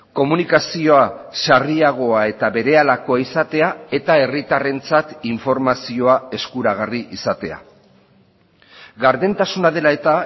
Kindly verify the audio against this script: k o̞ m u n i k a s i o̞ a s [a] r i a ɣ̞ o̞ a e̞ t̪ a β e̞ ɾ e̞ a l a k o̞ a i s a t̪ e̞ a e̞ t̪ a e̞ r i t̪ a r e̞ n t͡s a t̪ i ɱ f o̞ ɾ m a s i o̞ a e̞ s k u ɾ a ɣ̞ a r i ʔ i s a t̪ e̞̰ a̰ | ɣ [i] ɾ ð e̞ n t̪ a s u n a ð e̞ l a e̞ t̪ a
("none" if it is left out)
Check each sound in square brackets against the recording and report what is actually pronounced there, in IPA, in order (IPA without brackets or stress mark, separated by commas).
a, a